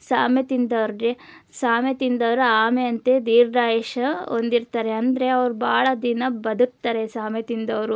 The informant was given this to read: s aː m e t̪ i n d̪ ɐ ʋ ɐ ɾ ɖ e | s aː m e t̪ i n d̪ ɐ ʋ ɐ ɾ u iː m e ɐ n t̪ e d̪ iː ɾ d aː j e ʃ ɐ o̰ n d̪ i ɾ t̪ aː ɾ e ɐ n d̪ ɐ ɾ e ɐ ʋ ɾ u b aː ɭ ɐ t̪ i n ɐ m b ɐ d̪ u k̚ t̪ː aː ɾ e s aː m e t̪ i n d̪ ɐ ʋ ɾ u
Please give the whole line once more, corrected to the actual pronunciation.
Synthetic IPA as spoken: s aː m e t̪ i n d̪ ɐ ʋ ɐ ɾ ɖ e | s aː m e t̪ i n d̪ ɐ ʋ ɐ ɾ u aː m e ɐ n t̪ e d̪ iː ɾ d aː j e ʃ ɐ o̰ n d̪ i ɾ t̪ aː ɾ e ɐ n d̪ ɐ ɾ e ɐ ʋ ɾ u b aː ɭ ɐ d̪ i n ɐ b ɐ d̪ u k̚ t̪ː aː ɾ e s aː m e t̪ i n d̪ ɐ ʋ ɾ u